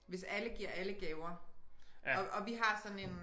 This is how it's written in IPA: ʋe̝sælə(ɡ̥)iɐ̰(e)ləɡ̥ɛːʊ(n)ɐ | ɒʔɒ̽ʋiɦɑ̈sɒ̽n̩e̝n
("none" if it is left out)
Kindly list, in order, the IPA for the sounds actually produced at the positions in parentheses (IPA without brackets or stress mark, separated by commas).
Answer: ɡ̥, æ, none